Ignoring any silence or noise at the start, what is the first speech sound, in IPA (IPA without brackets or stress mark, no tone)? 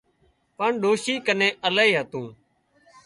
p